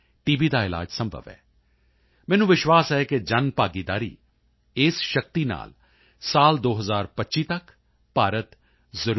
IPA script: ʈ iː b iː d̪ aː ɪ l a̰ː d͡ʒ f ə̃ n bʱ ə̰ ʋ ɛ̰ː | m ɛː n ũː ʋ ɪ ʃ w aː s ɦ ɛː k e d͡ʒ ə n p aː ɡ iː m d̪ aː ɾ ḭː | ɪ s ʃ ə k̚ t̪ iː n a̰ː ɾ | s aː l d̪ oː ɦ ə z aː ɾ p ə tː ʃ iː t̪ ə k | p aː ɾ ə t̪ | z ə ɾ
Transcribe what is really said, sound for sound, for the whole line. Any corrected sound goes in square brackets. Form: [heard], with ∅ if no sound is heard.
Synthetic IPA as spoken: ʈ iː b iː d̪ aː ɪ l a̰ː d͡ʒ [s] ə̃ [m] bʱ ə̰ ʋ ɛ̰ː | m ɛː n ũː ʋ ɪ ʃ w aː s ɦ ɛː k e d͡ʒ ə n p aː ɡ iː [∅] d̪ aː ɾ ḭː | ɪ s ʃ ə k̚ t̪ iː n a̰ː [l] | s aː l d̪ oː ɦ ə z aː ɾ p ə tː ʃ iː t̪ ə k | p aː ɾ ə t̪ | z ə ɾ